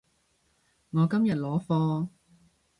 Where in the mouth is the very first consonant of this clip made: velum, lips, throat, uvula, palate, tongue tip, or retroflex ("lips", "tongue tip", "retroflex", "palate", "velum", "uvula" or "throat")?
velum